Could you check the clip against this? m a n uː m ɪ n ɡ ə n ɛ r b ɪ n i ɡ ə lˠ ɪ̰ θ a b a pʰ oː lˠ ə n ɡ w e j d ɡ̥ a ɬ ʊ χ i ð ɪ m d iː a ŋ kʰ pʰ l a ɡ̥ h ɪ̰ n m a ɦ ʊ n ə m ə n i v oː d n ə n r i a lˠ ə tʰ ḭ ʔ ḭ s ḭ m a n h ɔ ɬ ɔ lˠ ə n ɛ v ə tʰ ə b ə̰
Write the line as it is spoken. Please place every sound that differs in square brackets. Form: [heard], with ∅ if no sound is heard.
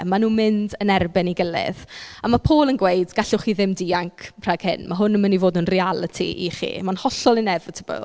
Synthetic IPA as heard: m a n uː m ɪ n [d] ə n ɛ r b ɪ n i ɡ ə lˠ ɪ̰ [ð] a [m] a pʰ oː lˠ ə n ɡ w e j d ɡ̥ a ɬ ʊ χ i ð ɪ m d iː a ŋ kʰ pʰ [r] a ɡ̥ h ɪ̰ n m a ɦ ʊ n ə m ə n i v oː d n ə n r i a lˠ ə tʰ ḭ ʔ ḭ [χ] ḭ m a n h ɔ ɬ ɔ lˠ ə n ɛ v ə tʰ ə b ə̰